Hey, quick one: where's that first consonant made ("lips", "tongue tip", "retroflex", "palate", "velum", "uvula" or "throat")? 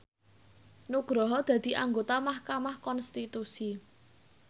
tongue tip